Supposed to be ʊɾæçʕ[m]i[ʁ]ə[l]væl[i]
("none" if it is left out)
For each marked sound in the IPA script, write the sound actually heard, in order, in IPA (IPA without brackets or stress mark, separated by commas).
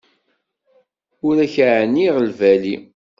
n, ʁ, l, i